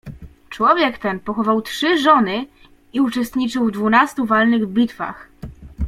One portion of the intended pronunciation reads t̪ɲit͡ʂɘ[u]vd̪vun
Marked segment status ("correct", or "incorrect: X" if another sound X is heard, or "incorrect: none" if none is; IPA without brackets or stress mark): incorrect: w